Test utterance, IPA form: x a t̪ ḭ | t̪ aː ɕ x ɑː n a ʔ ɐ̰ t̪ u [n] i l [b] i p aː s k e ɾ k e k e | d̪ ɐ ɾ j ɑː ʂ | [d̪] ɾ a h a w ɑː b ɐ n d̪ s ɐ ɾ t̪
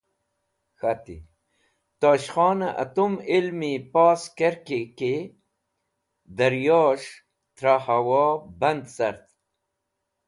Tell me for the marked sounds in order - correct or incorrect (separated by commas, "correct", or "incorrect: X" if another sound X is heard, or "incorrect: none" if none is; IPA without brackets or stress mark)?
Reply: incorrect: m, incorrect: m, incorrect: t̪